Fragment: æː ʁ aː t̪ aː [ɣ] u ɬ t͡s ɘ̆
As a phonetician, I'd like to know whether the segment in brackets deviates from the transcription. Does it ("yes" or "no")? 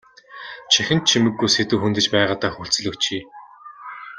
yes